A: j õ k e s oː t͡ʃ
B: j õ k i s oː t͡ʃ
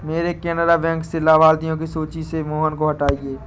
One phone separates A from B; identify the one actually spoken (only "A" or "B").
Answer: B